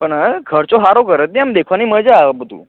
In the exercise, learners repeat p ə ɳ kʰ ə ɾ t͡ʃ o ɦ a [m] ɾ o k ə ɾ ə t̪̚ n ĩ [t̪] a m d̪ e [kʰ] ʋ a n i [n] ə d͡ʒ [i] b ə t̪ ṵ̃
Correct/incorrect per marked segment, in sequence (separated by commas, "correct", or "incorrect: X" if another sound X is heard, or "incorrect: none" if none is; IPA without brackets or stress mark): incorrect: none, incorrect: none, correct, incorrect: m, incorrect: a